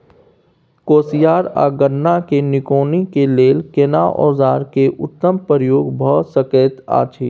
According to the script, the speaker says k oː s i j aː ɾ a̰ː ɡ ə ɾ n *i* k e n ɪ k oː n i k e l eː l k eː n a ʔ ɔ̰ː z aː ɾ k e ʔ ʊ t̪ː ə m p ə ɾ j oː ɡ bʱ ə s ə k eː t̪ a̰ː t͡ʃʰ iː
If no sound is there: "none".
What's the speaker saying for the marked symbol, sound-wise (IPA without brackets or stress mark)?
a